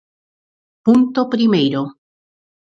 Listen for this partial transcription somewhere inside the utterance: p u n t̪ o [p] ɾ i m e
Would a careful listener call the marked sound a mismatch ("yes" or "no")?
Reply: no